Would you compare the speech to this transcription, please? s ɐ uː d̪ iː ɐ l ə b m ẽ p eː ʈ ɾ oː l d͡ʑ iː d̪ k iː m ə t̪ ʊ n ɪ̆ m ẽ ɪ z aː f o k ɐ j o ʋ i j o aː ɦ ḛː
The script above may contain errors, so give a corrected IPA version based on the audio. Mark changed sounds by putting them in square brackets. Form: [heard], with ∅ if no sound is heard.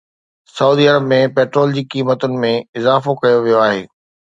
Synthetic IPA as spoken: s ɐ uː d̪ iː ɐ [ɾ] ə b m ẽ p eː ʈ ɾ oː l d͡ʑ iː [∅] k iː m ə t̪ ʊ n ɪ̆ m ẽ ɪ z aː f o k ɐ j o ʋ i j o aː ɦ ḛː